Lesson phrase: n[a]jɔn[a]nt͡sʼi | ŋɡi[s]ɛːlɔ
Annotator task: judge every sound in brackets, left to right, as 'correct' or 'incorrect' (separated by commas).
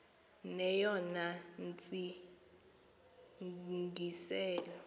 incorrect, correct, correct